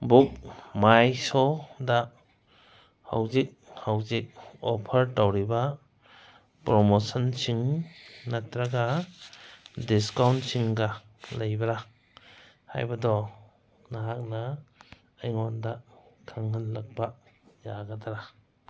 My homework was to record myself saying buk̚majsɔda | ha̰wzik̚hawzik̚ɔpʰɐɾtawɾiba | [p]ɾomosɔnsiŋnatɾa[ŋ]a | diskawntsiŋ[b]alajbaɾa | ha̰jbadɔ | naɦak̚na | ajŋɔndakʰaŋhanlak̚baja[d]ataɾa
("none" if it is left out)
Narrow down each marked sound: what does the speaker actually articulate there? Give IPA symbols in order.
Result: p, ɡ, ɡ, ɡ

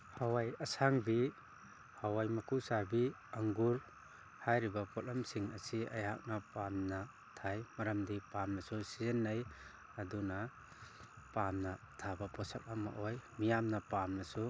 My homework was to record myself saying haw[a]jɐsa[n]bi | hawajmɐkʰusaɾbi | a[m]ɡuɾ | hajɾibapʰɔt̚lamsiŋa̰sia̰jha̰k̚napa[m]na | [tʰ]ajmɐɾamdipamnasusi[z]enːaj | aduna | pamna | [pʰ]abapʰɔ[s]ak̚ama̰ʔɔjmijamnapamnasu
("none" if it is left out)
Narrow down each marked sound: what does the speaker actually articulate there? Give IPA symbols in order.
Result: a, ŋ, ŋ, m, tʰ, z, tʰ, s

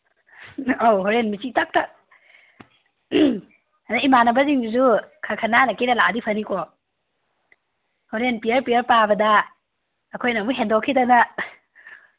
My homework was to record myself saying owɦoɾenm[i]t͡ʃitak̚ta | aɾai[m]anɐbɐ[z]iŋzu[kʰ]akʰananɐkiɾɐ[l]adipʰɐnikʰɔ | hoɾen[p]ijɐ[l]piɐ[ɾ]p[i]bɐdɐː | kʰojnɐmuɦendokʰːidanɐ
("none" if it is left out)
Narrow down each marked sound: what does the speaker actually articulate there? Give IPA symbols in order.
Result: i, m, z, kʰ, l, p, ɾ, ɾ, a

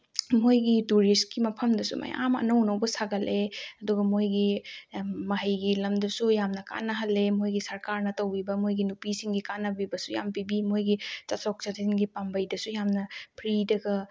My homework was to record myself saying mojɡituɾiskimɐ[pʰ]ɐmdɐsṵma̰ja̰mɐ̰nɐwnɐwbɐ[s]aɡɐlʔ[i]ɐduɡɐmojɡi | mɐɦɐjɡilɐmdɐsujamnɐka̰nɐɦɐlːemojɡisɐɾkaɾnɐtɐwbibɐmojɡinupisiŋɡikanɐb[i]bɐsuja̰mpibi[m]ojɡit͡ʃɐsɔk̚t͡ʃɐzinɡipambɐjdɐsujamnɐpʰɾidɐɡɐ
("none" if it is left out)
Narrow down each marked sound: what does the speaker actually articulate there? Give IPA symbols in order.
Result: pʰ, s, e, i, m

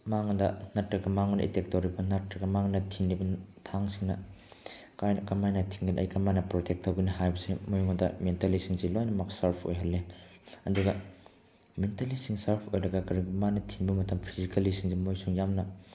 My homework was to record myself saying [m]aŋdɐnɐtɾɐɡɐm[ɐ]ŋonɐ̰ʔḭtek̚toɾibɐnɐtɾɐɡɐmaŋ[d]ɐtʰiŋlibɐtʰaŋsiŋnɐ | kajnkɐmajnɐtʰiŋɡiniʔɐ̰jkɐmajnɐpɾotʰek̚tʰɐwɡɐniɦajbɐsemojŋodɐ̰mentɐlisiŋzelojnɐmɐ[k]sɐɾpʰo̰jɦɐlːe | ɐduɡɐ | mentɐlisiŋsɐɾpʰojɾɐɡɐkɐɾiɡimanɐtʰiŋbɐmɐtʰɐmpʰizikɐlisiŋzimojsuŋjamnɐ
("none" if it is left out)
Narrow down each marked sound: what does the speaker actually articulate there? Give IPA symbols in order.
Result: m, a, n, k

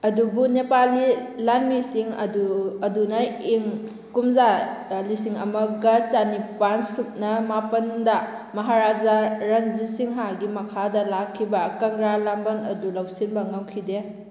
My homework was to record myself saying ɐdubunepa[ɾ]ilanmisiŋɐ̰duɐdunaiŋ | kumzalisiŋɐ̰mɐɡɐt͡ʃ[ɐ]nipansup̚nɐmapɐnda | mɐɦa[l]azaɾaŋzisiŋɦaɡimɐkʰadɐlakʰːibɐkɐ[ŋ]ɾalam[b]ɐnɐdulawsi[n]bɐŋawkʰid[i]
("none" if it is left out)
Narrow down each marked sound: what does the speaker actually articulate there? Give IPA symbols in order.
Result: l, a, ɾ, ŋ, b, n, e

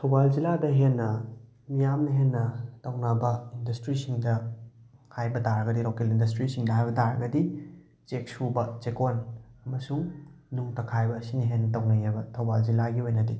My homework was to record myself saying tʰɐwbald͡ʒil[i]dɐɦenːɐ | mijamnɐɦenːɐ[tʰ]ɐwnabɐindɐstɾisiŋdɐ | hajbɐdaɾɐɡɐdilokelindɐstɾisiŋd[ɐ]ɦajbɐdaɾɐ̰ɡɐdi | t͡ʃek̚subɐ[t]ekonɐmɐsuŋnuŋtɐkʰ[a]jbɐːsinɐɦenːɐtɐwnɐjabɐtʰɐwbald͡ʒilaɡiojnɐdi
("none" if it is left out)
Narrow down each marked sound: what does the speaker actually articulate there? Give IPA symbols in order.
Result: a, t, ɐ, t͡ʃ, a

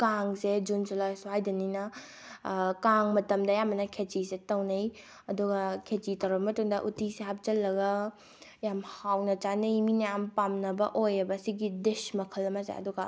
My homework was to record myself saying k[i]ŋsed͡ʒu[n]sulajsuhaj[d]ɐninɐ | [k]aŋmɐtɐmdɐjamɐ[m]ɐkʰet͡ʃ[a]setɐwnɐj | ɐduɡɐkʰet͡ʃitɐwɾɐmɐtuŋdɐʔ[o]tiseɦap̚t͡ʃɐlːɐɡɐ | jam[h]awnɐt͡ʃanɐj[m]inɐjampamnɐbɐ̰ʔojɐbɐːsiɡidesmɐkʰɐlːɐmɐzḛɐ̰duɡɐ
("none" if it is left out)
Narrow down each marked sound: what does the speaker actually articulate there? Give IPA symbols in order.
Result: a, n, d, k, n, i, u, h, m

